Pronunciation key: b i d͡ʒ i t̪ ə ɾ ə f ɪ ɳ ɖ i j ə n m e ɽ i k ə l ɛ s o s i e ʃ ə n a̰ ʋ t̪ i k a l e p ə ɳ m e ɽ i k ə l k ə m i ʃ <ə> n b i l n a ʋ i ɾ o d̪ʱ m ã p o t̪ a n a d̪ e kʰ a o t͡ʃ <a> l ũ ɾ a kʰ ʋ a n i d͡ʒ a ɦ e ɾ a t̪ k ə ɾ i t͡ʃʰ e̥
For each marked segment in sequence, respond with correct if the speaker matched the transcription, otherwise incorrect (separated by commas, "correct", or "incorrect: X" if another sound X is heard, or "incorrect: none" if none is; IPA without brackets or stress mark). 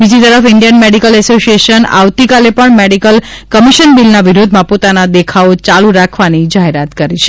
correct, correct